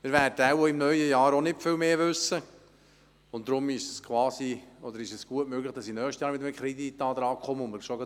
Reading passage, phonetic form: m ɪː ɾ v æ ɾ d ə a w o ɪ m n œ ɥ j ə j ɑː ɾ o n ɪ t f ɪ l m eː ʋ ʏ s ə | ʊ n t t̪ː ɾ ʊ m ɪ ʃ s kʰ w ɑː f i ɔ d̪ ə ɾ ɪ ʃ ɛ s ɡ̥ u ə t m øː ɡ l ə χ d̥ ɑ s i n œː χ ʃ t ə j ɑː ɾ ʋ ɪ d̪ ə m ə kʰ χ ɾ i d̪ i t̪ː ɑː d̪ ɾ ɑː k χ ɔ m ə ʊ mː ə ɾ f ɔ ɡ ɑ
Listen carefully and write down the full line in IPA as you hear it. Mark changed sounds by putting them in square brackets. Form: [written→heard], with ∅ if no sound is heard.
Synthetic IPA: m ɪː ɾ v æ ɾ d ə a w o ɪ m n œ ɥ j ə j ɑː ɾ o n ɪ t f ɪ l m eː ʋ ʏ s ə | ʊ n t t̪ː ɾ ʊ m ɪ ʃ s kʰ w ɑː [f→s] i ɔ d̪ ə ɾ ɪ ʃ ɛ s ɡ̥ u ə t m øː ɡ l ə χ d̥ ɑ s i n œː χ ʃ t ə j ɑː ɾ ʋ ɪ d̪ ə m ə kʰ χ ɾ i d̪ i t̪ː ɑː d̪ ɾ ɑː k χ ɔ m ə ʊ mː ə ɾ [f→ʃ] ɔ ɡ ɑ

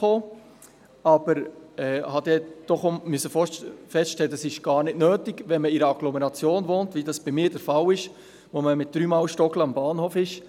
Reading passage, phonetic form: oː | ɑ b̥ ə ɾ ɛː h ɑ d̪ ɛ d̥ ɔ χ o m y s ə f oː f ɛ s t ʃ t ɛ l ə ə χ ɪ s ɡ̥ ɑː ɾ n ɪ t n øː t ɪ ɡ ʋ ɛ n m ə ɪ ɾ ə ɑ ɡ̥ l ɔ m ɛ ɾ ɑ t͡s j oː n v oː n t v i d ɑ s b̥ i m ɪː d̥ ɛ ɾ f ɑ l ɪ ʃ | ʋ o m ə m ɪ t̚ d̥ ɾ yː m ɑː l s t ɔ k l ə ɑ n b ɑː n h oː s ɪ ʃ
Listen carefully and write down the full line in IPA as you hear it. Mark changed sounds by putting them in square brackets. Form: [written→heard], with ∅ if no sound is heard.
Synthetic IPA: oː | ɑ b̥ ə ɾ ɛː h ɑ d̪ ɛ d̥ ɔ χ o m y s ə f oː f ɛ s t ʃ t ɛ l ə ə [χ→s] ɪ [s→ʃ] ɡ̥ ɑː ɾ n ɪ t n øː t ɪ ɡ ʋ ɛ n m ə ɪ ɾ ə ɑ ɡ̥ l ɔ m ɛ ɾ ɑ t͡s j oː n v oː n t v i d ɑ s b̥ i m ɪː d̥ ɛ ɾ f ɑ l ɪ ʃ | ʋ o m ə m ɪ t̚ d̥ ɾ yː m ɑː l [s→ʃ] t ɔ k l ə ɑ [n→m] b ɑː n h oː [s→f] ɪ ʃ

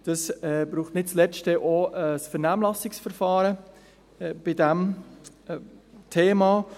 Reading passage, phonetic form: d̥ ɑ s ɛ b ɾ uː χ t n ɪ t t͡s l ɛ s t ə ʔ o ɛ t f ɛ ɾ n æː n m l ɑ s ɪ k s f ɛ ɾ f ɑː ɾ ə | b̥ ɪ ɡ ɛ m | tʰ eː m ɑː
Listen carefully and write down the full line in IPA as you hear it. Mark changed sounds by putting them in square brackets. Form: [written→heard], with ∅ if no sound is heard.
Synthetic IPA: d̥ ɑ s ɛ b ɾ uː χ t n ɪ t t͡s l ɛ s t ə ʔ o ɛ [t→s] f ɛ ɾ n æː [n→∅] m l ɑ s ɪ k s f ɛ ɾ f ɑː ɾ ə | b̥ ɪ [ɡ→d] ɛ m | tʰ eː m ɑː

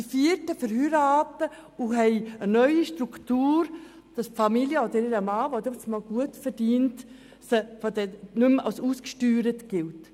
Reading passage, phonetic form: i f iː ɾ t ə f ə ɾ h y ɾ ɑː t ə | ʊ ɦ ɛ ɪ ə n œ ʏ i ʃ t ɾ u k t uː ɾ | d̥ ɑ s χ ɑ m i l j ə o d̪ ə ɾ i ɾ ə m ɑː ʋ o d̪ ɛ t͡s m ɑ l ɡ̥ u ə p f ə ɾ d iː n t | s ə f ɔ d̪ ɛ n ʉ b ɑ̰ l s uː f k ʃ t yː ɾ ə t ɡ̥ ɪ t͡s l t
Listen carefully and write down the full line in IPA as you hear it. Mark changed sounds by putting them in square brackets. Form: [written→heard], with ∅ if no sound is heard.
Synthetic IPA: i f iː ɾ t ə f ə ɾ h y ɾ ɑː t ə | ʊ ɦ ɛ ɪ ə n œ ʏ i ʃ t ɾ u k t uː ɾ | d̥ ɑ s [χ→f] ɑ m i l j ə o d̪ ə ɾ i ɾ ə m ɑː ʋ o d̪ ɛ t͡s m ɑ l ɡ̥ u ə [p→t] f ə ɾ d iː n t | s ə f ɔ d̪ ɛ n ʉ [b→m] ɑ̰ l s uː [f→s] k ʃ t yː ɾ ə t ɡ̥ ɪ [t͡s→∅] l t

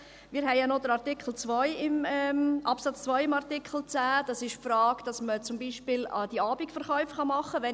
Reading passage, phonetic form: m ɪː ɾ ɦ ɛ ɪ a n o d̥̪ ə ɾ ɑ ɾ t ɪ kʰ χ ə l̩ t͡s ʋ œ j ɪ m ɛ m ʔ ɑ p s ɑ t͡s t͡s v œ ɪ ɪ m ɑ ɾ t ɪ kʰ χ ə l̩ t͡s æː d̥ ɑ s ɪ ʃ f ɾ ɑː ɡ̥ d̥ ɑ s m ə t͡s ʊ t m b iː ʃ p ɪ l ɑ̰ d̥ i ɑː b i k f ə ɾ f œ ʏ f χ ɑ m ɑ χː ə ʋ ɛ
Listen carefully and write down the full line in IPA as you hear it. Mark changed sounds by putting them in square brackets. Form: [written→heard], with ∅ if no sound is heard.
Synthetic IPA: m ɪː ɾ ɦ ɛ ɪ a n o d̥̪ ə ɾ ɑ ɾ t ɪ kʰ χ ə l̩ t͡s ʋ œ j ɪ m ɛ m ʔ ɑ p s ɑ t͡s t͡s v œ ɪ ɪ m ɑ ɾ t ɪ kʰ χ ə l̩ t͡s æː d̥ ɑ s ɪ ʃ f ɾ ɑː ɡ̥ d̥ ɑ s m ə t͡s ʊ [t→∅] m b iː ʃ p ɪ l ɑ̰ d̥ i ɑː b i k f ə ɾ [f→χ] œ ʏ f χ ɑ m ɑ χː ə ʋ ɛ

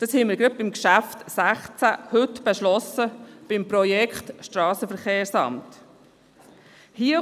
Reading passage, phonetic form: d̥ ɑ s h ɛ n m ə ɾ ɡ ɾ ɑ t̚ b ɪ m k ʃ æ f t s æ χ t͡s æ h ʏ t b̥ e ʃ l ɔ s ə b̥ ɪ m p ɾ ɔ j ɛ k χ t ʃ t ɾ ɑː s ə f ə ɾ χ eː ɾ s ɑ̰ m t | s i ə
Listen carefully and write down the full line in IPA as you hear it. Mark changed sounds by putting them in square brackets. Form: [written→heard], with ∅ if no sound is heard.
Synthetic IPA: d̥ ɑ s h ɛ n m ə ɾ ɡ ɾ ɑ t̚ b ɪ m k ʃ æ f t s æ χ t͡s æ h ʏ t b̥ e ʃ l ɔ s ə b̥ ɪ m p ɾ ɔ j ɛ k χ t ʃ t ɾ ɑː s ə f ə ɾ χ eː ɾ s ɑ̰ m t | [s→h] i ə

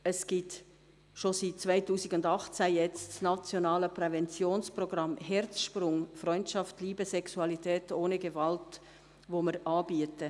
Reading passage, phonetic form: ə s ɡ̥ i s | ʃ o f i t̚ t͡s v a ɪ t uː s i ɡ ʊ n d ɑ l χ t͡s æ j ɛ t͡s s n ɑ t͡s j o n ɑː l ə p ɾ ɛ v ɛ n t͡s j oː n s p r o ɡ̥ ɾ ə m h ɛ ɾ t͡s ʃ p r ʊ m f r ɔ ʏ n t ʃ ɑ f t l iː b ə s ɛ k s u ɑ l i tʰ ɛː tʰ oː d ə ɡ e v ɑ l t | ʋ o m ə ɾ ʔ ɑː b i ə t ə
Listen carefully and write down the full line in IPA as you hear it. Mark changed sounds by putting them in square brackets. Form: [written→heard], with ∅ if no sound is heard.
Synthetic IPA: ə s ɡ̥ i [s→t] | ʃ o [f→s] i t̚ t͡s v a ɪ t uː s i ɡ ʊ n d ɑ [l→∅] χ t͡s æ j ɛ t͡s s n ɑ t͡s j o n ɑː l ə p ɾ ɛ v ɛ n t͡s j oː n s p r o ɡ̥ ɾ [ə→ɑ] m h ɛ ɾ t͡s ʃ p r ʊ [m→ŋ] f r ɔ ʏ n t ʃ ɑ f t l iː b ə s ɛ k s u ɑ l i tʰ ɛː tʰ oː [d→n] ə ɡ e v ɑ l t | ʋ o m ə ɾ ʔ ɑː b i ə t ə

